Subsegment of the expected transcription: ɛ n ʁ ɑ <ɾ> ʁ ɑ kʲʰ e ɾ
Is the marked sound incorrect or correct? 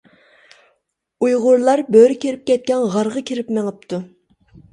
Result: correct